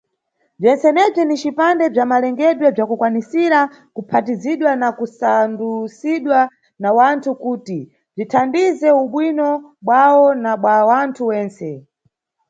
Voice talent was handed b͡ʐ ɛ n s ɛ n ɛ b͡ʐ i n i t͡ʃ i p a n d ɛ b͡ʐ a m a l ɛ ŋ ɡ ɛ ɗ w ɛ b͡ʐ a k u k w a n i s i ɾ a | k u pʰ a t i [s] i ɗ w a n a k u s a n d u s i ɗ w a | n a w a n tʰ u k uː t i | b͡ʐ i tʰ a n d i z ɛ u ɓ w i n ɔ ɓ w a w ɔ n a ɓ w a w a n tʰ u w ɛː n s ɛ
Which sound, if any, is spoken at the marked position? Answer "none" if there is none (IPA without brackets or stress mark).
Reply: z